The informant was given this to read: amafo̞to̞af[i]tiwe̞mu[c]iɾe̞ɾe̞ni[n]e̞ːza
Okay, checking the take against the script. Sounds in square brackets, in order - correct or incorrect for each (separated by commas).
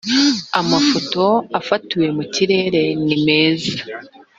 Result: incorrect, correct, incorrect